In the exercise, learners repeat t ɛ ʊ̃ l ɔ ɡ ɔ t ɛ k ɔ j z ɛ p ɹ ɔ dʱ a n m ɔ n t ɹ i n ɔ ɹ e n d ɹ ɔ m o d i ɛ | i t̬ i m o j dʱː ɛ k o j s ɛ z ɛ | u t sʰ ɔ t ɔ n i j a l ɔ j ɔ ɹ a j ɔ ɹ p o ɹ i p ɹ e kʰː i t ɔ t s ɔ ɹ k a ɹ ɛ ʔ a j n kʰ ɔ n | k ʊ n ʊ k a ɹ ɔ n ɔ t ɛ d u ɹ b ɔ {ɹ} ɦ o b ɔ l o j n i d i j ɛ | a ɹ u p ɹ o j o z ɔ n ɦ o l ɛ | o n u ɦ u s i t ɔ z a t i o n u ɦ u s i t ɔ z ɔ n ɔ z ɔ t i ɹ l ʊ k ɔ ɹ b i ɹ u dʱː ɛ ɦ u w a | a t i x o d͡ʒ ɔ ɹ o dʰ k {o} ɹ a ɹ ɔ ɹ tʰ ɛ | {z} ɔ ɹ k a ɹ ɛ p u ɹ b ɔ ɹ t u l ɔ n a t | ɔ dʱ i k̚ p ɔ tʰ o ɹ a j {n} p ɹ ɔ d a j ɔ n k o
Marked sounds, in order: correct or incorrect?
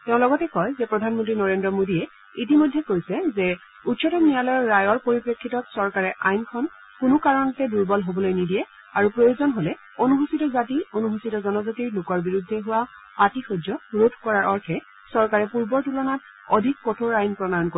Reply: incorrect: l, incorrect: ɔ, incorrect: s, correct

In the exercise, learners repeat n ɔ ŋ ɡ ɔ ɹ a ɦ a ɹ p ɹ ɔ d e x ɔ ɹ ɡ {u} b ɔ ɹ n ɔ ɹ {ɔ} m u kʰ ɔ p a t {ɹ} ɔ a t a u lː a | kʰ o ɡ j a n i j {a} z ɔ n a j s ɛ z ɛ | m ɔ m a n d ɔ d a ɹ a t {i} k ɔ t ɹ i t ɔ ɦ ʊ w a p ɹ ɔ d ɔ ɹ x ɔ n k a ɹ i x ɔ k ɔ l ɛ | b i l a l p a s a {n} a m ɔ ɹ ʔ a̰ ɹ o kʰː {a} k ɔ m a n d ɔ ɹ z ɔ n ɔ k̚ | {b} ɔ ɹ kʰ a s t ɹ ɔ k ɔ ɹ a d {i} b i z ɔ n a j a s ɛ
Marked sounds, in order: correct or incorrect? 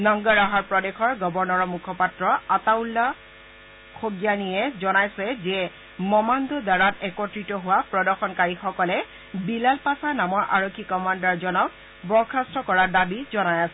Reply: incorrect: ɔ, correct, correct, incorrect: ɛ, incorrect: ɛ, correct, incorrect: i, correct, incorrect: a

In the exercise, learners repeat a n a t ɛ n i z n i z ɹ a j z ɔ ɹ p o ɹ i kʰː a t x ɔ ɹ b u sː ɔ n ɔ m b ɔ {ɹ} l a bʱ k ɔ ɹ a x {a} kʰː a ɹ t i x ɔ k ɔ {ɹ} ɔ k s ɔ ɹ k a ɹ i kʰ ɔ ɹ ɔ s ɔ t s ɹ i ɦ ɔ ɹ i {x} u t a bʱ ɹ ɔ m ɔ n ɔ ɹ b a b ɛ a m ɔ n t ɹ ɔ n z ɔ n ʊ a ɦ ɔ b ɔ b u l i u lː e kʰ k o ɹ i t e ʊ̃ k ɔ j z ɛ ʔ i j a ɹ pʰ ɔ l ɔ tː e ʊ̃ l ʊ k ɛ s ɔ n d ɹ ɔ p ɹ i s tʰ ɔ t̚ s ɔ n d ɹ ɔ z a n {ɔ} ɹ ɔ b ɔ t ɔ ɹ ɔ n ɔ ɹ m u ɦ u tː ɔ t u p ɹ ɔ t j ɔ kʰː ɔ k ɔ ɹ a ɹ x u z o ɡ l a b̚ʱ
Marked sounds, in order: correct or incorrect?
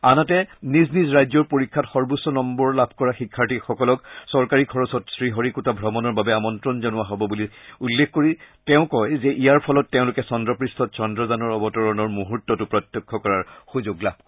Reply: correct, incorrect: i, incorrect: l, incorrect: k, correct

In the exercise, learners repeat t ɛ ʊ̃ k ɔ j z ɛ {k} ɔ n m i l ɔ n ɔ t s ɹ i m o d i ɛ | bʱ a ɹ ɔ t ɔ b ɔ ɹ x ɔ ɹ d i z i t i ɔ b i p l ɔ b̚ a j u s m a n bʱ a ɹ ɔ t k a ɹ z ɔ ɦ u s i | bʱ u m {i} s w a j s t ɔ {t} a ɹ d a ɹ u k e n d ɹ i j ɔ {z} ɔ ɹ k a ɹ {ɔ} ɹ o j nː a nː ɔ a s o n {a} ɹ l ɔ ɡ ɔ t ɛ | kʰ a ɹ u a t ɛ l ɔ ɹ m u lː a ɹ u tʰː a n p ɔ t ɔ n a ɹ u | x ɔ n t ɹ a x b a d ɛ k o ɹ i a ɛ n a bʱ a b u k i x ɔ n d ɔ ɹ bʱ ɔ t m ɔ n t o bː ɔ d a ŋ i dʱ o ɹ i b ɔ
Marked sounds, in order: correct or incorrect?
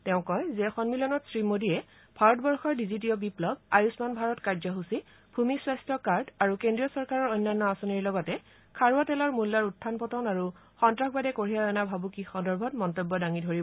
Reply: incorrect: x, correct, incorrect: k, incorrect: s, correct, incorrect: i

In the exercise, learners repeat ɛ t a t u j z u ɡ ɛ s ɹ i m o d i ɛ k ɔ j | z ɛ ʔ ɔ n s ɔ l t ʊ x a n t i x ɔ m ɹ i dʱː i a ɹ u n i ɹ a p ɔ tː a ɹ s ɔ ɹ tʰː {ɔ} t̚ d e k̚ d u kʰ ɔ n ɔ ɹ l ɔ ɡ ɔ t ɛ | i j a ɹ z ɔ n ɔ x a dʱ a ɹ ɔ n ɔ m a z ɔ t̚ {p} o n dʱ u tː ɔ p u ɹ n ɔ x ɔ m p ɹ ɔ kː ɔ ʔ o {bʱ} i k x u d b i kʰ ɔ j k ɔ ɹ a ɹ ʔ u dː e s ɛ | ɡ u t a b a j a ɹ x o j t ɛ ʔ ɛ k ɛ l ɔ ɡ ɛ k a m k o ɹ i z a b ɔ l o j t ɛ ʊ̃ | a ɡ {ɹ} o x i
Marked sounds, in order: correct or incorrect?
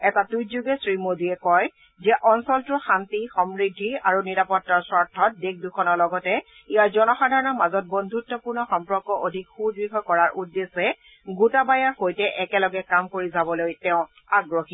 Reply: correct, incorrect: b, incorrect: dʱ, correct

